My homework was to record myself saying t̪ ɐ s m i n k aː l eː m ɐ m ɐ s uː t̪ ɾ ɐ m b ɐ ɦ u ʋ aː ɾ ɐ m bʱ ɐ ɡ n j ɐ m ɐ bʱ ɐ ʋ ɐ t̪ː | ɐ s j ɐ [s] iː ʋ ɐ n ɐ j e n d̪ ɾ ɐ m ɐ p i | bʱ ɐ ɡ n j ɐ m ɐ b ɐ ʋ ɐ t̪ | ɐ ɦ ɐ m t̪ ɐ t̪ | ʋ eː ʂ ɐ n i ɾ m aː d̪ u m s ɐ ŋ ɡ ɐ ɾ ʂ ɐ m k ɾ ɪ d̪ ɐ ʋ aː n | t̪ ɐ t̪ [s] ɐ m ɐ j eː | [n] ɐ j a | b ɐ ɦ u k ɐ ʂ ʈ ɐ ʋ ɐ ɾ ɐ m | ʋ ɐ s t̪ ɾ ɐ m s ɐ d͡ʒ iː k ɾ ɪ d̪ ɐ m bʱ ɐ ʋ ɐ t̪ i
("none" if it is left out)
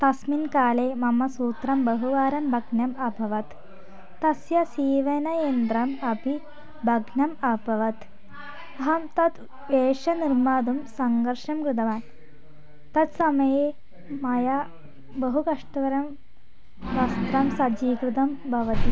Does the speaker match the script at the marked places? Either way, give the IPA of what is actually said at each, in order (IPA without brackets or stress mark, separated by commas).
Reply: s, s, m